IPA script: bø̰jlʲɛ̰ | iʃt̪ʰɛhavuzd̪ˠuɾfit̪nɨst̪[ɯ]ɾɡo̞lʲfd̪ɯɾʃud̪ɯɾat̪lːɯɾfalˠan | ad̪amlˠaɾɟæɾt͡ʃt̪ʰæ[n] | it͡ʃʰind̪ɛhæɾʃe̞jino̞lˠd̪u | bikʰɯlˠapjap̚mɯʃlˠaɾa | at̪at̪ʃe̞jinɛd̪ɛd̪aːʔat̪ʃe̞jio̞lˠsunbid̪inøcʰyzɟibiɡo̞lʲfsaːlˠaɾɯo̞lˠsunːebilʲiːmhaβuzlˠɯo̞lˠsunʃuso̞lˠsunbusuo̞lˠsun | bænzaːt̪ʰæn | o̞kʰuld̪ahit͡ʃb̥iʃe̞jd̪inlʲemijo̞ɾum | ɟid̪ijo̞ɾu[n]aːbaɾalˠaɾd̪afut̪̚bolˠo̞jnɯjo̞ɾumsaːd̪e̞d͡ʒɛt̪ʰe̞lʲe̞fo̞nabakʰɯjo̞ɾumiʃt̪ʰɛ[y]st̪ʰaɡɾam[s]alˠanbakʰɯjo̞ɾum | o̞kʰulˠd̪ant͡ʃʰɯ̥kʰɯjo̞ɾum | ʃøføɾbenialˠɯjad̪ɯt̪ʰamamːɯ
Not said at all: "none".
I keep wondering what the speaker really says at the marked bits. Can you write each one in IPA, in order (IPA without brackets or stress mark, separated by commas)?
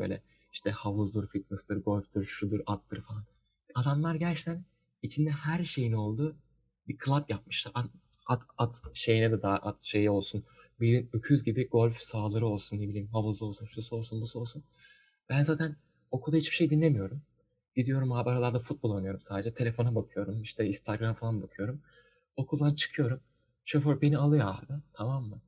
ɯ, n, m, i, f